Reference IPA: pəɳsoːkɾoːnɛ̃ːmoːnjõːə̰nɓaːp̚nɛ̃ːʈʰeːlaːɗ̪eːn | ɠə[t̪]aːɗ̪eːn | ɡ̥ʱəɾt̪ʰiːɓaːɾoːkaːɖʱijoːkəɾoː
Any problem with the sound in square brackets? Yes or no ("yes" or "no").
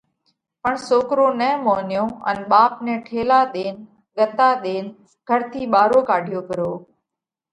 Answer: no